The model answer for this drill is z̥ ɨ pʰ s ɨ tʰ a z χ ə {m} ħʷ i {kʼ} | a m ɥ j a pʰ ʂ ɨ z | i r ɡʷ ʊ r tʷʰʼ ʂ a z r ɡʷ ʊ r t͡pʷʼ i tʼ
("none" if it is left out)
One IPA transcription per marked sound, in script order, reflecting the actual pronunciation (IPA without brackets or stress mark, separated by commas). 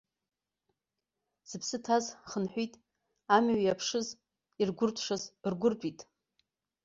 n, tʼ